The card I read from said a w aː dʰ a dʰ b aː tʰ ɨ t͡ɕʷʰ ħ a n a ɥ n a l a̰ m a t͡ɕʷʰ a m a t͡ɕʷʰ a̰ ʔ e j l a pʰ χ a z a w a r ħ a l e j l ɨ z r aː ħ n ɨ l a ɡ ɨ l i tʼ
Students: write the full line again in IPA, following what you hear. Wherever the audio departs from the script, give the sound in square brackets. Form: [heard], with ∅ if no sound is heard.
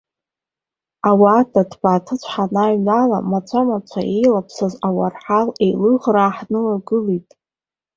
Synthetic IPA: a w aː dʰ a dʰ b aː tʰ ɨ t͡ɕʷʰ ħ a n a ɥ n a l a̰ m a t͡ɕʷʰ a m a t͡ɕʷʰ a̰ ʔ e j l a pʰ [s] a z a w a r ħ a l e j l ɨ [ʁ] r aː ħ n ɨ l a ɡ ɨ l i tʼ